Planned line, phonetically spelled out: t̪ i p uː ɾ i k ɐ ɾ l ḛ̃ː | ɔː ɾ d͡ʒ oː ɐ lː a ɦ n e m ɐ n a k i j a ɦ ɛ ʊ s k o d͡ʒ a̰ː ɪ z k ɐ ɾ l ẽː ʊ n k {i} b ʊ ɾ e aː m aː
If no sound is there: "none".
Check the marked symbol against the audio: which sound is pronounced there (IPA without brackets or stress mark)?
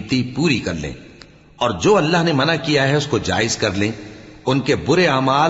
e